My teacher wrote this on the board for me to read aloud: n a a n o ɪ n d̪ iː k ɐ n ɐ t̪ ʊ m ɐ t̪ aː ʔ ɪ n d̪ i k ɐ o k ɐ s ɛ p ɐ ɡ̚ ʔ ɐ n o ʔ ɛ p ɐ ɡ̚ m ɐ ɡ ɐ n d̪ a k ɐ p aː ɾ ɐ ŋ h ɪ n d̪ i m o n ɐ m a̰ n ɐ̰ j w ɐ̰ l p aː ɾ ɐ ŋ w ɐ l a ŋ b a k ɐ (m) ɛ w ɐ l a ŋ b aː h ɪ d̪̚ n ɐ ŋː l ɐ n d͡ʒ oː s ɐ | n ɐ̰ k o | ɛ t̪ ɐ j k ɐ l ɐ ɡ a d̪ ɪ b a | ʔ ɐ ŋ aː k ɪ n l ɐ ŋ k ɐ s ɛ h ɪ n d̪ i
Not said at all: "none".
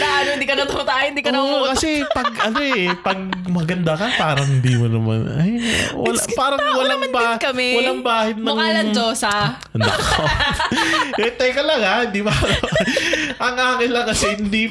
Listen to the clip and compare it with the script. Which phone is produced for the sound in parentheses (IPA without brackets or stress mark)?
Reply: m